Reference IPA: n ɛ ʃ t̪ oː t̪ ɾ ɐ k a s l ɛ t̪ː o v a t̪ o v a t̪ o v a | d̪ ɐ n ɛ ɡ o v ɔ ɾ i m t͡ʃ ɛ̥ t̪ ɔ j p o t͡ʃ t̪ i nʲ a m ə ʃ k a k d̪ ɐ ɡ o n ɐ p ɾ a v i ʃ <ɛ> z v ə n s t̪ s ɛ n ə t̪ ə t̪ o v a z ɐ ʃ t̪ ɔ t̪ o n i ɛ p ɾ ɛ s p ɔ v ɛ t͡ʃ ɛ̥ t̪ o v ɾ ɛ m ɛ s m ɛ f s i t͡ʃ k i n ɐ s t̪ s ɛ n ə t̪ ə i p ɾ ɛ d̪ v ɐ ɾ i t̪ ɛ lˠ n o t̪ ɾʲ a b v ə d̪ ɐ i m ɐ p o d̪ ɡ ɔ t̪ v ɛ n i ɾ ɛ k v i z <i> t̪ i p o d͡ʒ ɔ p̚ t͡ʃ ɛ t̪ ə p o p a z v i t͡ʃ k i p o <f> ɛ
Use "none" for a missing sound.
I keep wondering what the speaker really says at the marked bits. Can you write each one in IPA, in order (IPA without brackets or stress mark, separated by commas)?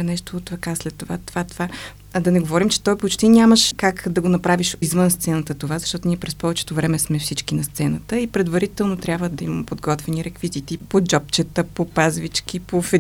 i, i, f